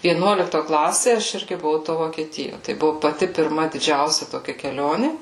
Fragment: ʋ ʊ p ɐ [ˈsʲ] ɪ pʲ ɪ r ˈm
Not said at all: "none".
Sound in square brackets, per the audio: tʲ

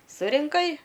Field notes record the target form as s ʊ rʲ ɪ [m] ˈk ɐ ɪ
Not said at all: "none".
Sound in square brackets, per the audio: ŋ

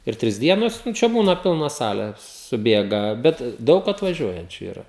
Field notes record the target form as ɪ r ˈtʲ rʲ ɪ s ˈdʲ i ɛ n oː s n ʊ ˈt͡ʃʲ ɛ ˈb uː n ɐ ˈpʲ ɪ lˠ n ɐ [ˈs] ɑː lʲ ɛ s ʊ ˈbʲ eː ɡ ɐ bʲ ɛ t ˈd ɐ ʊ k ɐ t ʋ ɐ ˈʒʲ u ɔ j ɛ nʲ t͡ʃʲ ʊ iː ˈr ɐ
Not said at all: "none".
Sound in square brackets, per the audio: s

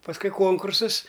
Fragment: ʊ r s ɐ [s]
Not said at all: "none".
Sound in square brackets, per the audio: s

